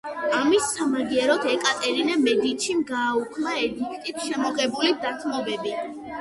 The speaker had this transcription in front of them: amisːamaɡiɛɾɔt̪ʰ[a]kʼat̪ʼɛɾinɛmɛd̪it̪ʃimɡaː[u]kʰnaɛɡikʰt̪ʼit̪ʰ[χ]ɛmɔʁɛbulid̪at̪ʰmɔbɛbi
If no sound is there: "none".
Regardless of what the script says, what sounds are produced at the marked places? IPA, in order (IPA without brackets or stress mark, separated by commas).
ɛ, u, ʃ